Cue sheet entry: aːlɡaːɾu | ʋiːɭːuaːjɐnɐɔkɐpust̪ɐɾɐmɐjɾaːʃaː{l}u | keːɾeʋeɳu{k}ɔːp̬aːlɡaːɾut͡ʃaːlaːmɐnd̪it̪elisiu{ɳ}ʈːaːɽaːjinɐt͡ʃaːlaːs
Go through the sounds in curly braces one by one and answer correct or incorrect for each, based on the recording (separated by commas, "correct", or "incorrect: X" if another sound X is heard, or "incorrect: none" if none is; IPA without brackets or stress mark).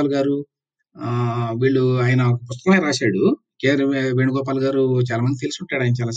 incorrect: ɽ, incorrect: ɡ, correct